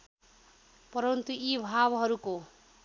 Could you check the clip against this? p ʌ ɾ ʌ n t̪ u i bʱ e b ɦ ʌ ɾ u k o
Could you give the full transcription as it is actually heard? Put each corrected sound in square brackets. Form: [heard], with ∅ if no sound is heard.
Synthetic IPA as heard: p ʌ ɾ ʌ n t̪ u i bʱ [a] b ɦ ʌ ɾ u k o

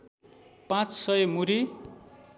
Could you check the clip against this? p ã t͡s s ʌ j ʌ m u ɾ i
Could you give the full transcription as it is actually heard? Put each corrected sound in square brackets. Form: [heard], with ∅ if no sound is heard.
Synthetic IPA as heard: p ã t͡s s ʌ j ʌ m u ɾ i

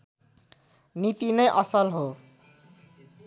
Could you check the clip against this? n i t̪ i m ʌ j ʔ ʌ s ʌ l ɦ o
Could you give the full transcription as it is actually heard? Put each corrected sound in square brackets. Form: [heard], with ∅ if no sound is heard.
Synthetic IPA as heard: n i t̪ i [n] ʌ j ʔ ʌ s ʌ l ɦ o

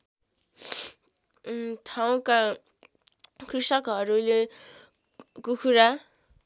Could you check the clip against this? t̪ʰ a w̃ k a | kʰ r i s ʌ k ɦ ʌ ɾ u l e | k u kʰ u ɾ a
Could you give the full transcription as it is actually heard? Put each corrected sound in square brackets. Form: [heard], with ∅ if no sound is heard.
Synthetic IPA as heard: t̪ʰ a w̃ k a | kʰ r i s ʌ k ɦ ʌ ɾ u l e | k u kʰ u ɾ a

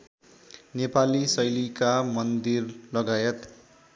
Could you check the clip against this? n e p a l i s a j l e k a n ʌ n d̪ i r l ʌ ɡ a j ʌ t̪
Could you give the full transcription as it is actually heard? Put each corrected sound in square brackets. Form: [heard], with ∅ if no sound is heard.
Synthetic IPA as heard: n e p a l i s [ʌ] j l [i] k a [m] ʌ n d̪ i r l ʌ ɡ a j ʌ t̪

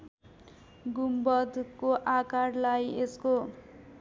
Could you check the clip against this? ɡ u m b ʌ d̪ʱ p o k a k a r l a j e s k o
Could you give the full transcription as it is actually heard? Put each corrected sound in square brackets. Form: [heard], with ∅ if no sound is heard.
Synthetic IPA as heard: ɡ u m b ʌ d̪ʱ [k] o [ʔ] a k a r l a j e s k o

